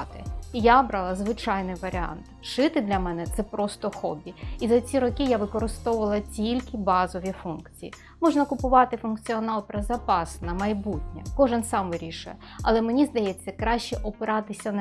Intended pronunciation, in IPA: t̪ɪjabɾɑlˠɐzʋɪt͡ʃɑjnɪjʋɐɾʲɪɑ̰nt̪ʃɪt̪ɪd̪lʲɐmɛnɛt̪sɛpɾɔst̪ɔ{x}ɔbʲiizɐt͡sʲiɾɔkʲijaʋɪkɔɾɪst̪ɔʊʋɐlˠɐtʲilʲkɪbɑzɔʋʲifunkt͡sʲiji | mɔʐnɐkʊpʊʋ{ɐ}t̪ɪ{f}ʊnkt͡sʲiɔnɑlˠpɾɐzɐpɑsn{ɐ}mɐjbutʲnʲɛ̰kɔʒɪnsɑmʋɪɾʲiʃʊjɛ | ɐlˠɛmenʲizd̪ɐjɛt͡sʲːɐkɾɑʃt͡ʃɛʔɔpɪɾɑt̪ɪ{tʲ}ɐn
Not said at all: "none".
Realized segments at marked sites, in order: x, ɑ, f, ɐ, sʲ

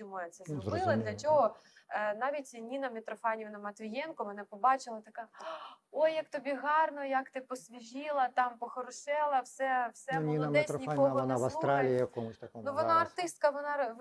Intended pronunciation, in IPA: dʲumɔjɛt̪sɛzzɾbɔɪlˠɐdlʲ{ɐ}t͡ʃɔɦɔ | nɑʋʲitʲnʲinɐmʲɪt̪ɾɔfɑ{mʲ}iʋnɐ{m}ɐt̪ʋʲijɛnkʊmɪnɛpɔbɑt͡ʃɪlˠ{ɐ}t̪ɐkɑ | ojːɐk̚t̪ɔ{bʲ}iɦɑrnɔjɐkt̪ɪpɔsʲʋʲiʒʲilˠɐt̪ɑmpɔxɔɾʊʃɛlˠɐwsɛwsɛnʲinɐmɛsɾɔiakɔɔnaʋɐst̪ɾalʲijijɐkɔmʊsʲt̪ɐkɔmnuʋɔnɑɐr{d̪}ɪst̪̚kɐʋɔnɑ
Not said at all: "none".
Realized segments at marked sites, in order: ɐ, nʲ, m, ɐ, bʲ, t̪

